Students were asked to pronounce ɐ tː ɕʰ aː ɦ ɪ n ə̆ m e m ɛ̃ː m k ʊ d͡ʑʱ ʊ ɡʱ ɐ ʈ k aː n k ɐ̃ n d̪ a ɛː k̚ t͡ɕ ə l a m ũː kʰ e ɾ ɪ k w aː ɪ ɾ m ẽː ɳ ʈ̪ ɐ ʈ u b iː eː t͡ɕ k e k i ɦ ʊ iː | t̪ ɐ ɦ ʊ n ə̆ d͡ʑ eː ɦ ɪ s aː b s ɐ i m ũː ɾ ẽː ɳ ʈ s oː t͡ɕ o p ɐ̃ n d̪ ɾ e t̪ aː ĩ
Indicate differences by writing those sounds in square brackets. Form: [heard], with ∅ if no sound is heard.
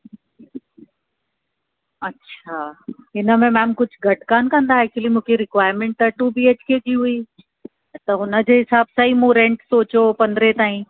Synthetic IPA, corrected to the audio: ɐ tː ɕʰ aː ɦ ɪ n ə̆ m [ẽ] m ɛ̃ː m k ʊ d͡ʑʱ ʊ ɡʱ ɐ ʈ k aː n k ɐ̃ n d̪ a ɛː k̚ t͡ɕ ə l [i] m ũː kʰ e ɾ ɪ k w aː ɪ ɾ m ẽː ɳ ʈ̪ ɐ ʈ u b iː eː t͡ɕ k e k i ɦ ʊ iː | t̪ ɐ ɦ ʊ n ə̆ d͡ʑ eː ɦ ɪ s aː b s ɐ i m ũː ɾ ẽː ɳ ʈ s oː t͡ɕ o p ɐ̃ n d̪ ɾ e t̪ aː ĩ